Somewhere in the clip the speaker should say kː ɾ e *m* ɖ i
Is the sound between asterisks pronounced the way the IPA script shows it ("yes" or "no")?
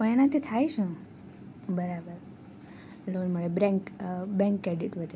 no